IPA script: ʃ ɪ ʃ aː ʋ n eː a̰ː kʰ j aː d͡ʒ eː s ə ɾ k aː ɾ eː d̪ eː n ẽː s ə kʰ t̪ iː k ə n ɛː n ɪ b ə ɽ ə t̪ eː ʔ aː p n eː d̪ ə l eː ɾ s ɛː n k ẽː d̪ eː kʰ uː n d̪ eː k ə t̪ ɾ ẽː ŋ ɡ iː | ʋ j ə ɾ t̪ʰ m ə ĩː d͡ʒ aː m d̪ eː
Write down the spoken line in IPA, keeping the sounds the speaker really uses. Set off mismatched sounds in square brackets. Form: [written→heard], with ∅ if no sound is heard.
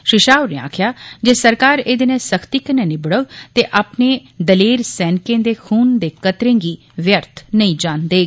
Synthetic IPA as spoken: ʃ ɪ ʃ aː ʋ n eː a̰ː kʰ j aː d͡ʒ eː s ə ɾ k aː ɾ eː d̪ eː n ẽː s ə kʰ t̪ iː k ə n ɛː n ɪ b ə ɽ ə t̪ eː ʔ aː p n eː d̪ ə l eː ɾ s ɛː n k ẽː d̪ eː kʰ uː n d̪ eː k ə t̪ ɾ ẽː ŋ ɡ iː | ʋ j ə ɾ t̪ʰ [m→n] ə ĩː d͡ʒ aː [m→n] d̪ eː